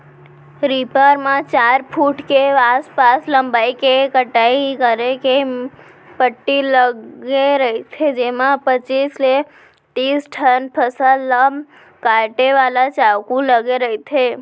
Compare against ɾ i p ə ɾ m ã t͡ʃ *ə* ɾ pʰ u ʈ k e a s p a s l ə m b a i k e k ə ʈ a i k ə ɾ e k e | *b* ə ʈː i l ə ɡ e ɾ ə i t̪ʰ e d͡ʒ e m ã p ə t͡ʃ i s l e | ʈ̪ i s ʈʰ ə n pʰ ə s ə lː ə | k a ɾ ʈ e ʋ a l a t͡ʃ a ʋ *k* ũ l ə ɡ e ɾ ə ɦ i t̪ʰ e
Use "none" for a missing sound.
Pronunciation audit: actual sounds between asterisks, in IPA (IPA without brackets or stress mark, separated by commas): a, p, k